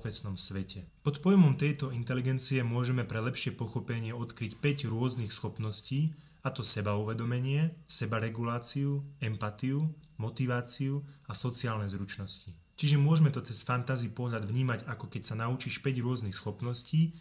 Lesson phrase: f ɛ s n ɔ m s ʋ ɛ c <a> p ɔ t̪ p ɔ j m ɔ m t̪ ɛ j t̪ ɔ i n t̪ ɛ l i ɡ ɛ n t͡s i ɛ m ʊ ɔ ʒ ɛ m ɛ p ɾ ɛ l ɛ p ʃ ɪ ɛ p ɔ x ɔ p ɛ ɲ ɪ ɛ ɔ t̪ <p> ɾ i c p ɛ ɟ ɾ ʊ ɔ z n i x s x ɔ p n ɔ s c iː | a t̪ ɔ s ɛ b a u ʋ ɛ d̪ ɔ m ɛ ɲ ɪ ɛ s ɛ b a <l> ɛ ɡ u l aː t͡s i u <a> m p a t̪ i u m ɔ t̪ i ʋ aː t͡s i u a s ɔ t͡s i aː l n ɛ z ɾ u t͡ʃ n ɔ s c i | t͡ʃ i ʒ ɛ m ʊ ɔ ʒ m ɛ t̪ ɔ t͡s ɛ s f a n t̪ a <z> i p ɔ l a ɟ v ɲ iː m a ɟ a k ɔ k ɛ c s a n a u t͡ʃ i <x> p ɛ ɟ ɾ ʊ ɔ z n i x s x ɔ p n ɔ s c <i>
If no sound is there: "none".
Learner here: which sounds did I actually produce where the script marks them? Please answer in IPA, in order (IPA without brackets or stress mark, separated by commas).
ɛ, k, ɾ, ɛ, z, ʃ, iː